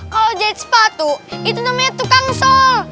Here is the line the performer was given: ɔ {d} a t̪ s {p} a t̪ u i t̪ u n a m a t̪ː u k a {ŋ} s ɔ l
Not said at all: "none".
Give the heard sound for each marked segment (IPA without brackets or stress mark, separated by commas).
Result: d͡ʒ, p, ŋ